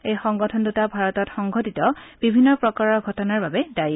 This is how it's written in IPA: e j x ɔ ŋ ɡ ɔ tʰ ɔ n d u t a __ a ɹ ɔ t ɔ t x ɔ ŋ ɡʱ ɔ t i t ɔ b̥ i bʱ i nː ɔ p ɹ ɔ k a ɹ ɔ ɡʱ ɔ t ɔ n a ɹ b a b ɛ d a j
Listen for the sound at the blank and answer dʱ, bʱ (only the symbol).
bʱ